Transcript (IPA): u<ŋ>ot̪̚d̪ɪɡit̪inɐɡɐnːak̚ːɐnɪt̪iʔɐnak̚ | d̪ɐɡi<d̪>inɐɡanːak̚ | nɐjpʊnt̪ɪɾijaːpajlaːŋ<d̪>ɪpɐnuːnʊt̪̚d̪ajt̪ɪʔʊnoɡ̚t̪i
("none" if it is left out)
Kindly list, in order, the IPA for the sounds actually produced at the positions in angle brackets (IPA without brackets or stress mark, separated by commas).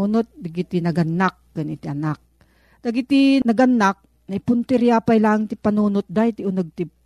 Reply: n, t̪, t̪